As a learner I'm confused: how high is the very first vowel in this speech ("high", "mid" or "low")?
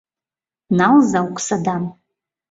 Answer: low